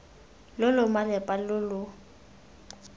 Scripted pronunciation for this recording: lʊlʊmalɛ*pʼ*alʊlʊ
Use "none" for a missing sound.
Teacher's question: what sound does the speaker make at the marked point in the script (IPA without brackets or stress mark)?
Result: pʼ